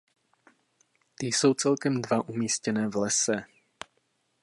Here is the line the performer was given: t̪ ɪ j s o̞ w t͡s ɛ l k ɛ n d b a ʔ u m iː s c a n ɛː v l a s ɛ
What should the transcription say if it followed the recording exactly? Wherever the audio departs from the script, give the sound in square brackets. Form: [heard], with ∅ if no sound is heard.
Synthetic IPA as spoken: t̪ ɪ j s o̞ w t͡s ɛ l k ɛ [m] d [v] a ʔ u m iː s c [ɛ] n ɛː v l [ɛ] s ɛ